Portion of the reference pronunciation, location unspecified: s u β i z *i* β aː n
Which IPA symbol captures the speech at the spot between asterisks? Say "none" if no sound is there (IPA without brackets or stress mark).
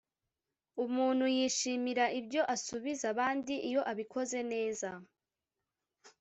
a